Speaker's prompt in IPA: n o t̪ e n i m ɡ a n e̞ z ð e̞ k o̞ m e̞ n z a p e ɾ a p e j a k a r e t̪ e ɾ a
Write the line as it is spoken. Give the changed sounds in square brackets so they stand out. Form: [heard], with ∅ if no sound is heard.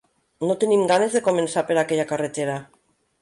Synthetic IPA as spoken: n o t̪ e n i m ɡ a n e̞ z ð e̞ k o̞ m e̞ n [s] a p e ɾ a [k] e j a k a r e t̪ e ɾ a